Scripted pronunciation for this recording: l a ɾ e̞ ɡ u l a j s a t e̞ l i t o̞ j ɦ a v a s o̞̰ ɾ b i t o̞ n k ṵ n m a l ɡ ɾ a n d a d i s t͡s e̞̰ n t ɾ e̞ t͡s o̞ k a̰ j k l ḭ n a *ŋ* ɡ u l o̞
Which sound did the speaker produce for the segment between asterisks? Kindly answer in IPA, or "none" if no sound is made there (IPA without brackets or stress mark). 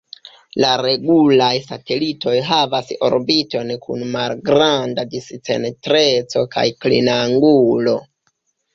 ŋ